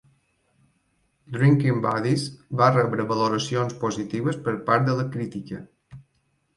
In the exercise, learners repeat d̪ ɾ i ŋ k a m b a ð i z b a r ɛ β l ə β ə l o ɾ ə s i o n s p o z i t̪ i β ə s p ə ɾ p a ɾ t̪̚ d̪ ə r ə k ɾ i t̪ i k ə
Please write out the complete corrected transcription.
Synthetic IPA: d̪ ɾ i ŋ k i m b a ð i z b a r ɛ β ɾ ə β ə l o ɾ ə s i o n s p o z i t̪ i β ə s p ə ɾ p a ɾ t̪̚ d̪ ə l ə k ɾ i t̪ i k ə